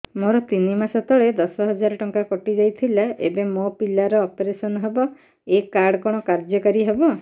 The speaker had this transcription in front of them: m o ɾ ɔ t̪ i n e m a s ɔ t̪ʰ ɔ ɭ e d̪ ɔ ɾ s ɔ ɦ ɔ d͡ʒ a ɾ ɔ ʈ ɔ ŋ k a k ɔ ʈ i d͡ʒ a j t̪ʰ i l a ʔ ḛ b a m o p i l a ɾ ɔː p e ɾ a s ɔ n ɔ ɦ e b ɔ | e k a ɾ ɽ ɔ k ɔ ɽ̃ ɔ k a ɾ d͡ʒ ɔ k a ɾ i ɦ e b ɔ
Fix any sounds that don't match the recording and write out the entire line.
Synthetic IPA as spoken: m o ɾ ɔ t̪ i n i m a s ɔ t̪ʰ ɔ ɭ e d̪ ɔ s ɔ ɦ ɔ d͡ʒ a ɾ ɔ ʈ ɔ ŋ k a k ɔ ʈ i d͡ʒ a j t̪ʰ i l a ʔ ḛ b e m o p i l a ɾ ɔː p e ɾ e s ɔ n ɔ ɦ e b ɔ | e k a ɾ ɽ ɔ k ɔ ɽ̃ ɔ k a ɾ d͡ʒ ɔ k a ɾ i ɦ e b ɔ